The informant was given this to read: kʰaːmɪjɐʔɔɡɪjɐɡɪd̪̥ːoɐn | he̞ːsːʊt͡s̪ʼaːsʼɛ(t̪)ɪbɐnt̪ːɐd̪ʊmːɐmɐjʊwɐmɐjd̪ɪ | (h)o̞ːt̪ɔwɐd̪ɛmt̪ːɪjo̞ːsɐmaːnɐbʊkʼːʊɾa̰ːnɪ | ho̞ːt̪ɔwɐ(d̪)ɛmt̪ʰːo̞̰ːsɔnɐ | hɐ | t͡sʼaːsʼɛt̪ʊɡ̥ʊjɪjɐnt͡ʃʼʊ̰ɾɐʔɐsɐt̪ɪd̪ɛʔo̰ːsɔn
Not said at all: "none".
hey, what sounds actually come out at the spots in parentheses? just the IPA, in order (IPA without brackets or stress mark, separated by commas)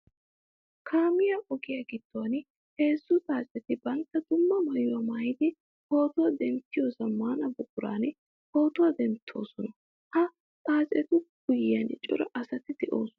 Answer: t̪, h, d̪